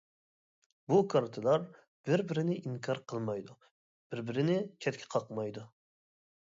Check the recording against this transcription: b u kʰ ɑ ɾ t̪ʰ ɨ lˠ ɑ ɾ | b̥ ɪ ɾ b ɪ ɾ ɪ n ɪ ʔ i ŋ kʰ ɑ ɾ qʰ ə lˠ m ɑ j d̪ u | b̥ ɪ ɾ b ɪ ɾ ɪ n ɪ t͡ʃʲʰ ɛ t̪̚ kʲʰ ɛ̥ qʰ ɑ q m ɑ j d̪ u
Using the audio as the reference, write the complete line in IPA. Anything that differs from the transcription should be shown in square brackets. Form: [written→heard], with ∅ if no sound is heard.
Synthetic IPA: b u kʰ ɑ ɾ t̪ʰ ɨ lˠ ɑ ɾ | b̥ ɪ ɾ b ɪ ɾ ɪ n ɪ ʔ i ŋ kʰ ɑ ɾ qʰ ə lˠ m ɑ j d̪ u | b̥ ɪ ɾ b ɪ ɾ ɪ n ɪ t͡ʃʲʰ ɛ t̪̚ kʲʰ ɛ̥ qʰ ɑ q m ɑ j d̪ u